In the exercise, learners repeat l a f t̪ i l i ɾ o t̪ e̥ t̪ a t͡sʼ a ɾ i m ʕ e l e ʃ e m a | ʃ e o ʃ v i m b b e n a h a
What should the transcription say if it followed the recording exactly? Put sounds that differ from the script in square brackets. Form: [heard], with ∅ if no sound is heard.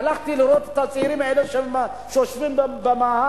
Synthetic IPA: l a [χ] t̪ i l i ɾ o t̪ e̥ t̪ a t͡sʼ [i] ɾ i m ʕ e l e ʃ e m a | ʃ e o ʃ v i m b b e [m] a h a